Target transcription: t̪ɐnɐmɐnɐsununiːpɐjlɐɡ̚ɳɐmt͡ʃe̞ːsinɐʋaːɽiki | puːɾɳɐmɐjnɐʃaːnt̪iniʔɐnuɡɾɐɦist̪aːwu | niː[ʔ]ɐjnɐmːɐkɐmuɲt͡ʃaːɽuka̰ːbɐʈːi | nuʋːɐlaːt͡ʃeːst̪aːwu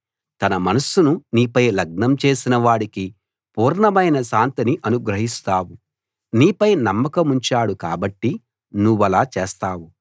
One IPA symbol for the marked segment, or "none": p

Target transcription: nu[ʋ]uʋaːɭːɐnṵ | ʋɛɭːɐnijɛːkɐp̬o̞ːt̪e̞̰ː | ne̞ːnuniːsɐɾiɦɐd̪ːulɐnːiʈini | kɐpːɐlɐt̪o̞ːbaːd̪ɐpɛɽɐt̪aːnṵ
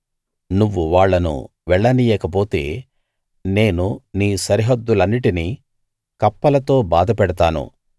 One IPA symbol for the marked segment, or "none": ʋː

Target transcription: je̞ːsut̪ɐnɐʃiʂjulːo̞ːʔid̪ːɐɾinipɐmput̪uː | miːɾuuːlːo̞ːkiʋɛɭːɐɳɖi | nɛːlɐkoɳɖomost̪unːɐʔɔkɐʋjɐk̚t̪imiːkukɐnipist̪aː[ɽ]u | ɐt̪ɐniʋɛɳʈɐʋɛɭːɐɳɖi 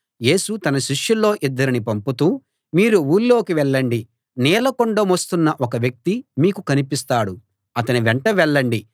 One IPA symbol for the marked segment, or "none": ɽ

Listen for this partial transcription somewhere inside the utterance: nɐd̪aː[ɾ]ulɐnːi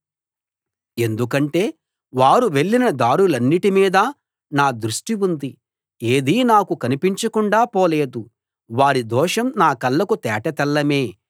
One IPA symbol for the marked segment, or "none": ɽ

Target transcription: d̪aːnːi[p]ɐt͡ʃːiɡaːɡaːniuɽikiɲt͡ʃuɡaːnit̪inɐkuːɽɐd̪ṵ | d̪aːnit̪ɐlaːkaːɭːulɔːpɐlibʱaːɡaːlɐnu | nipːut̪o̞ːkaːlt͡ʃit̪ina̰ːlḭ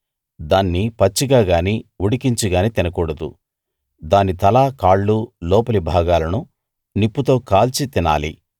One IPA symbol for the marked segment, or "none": p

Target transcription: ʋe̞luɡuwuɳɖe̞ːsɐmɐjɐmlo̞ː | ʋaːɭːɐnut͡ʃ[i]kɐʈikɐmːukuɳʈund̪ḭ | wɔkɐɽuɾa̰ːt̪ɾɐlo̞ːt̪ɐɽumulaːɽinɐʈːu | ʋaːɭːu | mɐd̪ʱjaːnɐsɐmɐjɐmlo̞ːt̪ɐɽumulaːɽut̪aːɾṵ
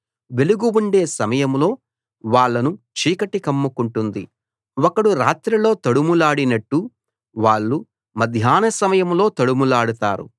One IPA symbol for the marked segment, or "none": iː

